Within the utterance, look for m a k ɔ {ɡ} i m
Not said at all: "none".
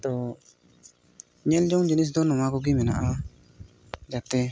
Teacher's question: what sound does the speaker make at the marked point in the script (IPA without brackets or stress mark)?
ɡ